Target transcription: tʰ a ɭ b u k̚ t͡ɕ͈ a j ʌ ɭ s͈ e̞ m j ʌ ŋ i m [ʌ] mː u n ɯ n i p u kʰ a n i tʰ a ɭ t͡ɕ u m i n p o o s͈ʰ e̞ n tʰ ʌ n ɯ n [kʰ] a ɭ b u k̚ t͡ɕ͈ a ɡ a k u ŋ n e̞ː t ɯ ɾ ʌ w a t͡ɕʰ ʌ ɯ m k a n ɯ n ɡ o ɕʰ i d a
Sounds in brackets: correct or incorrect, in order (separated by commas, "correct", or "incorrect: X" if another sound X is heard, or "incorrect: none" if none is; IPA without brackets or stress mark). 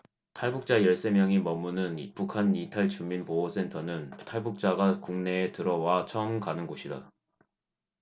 correct, incorrect: tʰ